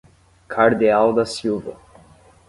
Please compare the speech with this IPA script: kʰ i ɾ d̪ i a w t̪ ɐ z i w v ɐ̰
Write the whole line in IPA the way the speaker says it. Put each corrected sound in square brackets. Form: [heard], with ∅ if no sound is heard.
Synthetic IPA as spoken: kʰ [a] ɾ d̪ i a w [d̪] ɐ [s] i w v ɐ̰